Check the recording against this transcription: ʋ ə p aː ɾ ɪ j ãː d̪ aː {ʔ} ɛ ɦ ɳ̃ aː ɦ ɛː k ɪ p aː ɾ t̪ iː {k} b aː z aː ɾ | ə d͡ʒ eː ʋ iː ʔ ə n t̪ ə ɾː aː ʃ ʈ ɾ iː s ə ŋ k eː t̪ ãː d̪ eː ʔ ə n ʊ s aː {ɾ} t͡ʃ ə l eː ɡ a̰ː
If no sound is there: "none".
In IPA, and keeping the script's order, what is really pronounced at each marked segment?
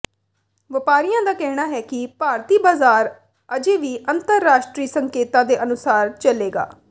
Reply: k, none, ɾ

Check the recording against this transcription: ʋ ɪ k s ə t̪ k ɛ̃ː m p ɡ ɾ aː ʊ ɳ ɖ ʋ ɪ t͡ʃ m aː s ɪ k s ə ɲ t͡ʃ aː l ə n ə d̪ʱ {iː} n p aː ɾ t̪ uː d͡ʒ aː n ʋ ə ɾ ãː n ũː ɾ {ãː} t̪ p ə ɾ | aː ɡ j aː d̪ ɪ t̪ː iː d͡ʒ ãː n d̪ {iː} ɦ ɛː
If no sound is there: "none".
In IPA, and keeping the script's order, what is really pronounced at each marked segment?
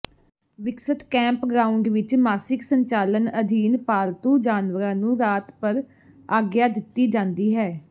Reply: iː, aː, iː

